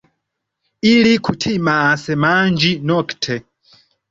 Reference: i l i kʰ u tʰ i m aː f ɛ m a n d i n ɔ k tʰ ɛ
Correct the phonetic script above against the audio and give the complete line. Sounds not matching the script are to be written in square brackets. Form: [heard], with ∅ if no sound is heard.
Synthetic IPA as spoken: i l i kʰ u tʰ i m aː [s] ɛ m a n [d͡ʒ] i n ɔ k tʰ ɛ

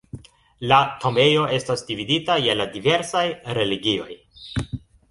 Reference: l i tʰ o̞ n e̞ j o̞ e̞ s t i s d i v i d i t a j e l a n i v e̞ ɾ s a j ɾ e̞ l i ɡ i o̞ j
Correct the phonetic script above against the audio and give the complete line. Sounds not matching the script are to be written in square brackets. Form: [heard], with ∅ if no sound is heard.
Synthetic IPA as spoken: l [a] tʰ o̞ [m] e̞ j o̞ e̞ s t [a] s d i v i d i t a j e l a [d] i v e̞ ɾ s a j ɾ e̞ l i ɡ i o̞ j

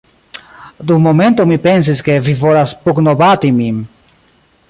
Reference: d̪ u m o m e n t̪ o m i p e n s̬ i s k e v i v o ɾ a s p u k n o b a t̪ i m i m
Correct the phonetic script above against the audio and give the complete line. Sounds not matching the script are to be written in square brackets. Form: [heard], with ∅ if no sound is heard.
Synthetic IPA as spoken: d̪ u m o m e n t̪ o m i p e n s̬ i s k e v i v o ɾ a s p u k n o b a t̪ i m i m

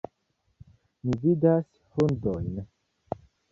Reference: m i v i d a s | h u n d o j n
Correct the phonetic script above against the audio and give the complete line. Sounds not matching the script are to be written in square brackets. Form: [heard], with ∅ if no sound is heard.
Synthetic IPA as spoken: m i v i d a s | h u n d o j n

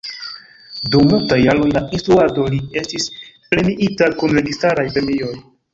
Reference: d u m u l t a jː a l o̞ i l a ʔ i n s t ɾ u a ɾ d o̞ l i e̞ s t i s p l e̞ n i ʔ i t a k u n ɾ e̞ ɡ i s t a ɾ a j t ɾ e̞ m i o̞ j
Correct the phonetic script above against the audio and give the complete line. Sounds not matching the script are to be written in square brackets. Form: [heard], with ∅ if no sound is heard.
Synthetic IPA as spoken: d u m u l t a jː a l o̞ [j] l a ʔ i n s t ɾ u a [∅] d o̞ l i e̞ s t i s p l e̞ n i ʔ i t a k u n ɾ e̞ ɡ i s t a ɾ a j [p] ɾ e̞ m i o̞ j

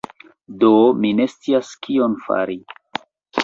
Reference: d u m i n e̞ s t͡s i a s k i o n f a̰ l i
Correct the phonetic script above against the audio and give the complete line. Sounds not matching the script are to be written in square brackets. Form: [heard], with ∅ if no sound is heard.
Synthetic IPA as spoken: d [o] m i n e̞ s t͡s i a s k i o n f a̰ [ɾ] i

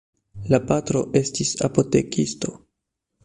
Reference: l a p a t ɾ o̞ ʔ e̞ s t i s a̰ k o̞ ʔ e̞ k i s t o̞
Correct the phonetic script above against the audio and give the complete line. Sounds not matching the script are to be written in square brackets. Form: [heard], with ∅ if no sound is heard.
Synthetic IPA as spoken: l a p a t ɾ o̞ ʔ e̞ s t i s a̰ [p] o̞ [t] e̞ k i s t o̞

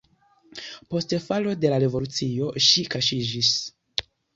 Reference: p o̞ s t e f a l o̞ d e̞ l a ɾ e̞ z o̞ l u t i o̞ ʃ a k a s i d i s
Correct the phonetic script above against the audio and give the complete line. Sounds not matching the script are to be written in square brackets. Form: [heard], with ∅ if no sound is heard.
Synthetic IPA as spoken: p o̞ s t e f a l o̞ d e̞ l a ɾ e̞ [v] o̞ l u [t͡s] i o̞ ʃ [i] k a [ʃ] i [d͡ʒ] i s

